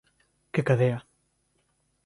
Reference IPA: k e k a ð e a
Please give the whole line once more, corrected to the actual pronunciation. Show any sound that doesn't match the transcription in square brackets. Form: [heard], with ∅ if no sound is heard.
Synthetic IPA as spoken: k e k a ð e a